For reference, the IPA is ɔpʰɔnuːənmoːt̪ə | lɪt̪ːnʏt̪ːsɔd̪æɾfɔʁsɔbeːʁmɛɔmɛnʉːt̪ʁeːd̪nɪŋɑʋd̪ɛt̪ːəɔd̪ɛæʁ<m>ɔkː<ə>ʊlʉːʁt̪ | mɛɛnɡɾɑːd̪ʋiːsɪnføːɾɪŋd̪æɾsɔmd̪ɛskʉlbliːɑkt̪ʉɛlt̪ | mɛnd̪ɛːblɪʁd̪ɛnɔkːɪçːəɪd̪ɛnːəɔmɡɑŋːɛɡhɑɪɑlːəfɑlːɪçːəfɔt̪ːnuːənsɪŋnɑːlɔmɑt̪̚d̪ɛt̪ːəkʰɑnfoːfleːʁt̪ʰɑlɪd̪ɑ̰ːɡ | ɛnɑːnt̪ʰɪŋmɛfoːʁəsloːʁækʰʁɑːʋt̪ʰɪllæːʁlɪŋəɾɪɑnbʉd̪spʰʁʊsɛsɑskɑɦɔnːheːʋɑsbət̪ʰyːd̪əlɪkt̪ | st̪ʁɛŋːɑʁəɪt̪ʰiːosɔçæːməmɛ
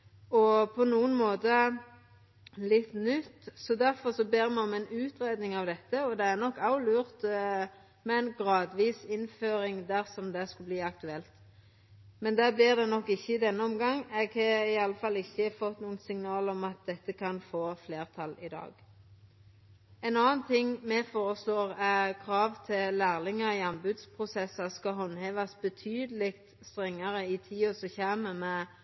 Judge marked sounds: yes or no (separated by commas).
no, no